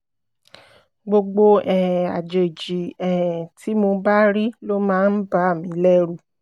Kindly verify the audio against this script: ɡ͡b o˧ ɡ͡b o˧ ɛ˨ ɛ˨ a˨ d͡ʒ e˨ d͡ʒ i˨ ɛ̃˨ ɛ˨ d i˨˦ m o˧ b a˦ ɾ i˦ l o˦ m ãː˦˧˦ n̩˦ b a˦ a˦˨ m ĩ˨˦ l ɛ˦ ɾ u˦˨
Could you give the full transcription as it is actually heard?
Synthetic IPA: ɡ͡b o˧ ɡ͡b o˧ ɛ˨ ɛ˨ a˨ d͡ʒ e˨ d͡ʒ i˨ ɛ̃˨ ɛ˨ t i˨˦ m o˧ b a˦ ɾ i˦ l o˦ m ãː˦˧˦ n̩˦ b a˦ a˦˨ m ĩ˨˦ l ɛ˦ ɾ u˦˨